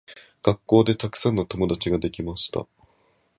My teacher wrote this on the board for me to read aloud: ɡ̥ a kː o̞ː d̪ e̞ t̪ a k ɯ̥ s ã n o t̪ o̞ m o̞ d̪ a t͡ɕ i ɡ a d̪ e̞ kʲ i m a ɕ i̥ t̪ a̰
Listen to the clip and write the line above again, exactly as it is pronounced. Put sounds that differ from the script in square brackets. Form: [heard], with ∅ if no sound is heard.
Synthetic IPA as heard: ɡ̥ a kː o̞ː d̪ e̞ t̪ a k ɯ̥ s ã [nː] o t̪ o̞ m o̞ d̪ a t͡ɕ i ɡ a d̪ e̞ kʲ i m a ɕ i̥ t̪ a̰

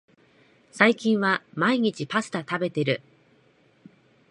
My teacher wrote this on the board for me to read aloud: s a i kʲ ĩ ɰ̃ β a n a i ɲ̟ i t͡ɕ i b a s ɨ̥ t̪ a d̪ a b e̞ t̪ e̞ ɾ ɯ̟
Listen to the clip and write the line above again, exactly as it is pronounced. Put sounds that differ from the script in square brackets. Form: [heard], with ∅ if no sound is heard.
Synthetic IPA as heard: s a i kʲ ĩ ɰ̃ β a [m] a i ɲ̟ i t͡ɕ i [p] a s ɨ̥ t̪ a [t̪] a b e̞ t̪ e̞ ɾ ɯ̟

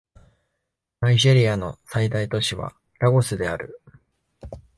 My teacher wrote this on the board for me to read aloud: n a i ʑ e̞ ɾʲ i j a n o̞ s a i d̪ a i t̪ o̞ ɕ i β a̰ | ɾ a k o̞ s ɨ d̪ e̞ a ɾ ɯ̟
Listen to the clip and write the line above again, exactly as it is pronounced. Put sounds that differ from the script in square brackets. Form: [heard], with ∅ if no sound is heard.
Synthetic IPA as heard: n a i ʑ e̞ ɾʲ i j a n o̞ s a i d̪ a i t̪ o̞ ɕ i β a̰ | ɾ a [ɡ] o̞ s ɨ d̪ e̞ a ɾ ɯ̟

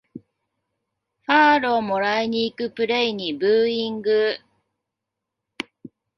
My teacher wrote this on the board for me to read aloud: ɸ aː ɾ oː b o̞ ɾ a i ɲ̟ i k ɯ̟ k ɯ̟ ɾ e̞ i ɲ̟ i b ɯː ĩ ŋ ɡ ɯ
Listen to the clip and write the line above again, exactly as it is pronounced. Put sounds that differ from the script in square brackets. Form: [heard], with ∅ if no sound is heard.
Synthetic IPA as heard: ɸ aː ɾ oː [m] o̞ ɾ a i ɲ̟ [iː] k ɯ̟ [p] ɯ̟ ɾ e̞ i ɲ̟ i b ɯː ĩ ŋ ɡ ɯ

